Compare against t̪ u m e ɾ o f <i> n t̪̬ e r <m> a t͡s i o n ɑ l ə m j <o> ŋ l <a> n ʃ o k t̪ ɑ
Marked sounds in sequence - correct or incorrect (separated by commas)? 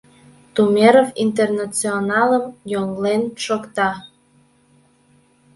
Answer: correct, incorrect, correct, incorrect